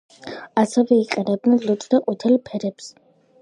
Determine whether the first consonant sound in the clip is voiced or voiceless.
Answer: voiceless